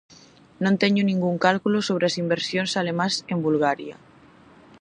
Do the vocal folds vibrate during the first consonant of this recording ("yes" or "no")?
yes